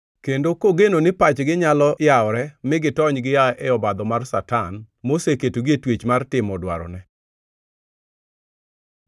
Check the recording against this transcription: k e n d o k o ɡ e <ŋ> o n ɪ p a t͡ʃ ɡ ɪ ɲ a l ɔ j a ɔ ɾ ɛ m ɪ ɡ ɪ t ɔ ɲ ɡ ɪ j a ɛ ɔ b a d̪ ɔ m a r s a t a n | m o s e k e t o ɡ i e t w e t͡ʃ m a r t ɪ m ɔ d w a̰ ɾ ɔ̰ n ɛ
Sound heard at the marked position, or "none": n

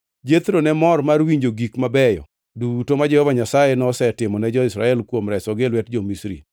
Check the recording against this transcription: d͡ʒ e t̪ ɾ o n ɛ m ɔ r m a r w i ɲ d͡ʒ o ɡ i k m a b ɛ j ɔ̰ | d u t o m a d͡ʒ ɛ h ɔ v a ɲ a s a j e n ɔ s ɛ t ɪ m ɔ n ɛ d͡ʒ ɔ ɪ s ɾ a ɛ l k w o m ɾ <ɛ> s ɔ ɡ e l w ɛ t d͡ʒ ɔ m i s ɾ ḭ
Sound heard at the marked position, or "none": ɛ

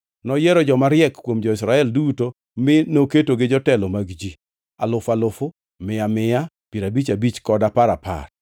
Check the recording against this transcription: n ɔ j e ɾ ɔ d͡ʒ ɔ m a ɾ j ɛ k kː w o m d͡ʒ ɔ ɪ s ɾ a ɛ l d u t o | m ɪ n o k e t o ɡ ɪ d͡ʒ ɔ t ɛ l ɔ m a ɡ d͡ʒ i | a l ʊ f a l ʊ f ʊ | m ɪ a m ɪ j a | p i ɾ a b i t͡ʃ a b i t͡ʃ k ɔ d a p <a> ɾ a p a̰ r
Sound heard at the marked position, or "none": a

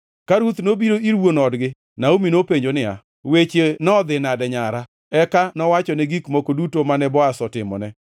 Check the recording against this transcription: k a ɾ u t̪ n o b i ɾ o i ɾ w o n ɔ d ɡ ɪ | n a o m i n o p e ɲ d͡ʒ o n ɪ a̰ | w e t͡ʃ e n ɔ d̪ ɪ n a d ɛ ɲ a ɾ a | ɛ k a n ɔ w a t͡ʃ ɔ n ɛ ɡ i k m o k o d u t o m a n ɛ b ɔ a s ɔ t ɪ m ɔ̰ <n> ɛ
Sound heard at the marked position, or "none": n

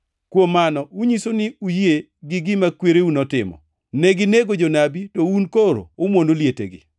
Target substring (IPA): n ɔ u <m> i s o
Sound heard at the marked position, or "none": ɲ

